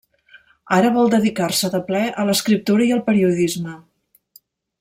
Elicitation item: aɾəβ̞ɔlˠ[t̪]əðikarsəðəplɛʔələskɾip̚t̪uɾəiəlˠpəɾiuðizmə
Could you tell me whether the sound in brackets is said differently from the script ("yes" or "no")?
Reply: yes